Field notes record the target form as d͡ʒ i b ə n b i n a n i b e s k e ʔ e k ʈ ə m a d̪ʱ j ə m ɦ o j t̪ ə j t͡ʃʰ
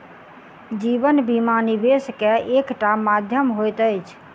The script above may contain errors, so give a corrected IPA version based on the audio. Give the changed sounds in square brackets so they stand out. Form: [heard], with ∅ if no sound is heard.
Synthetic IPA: d͡ʒ i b ə n b i [m] a n i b e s k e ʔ e k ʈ [a] m a d̪ʱ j ə m ɦ o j t̪ ə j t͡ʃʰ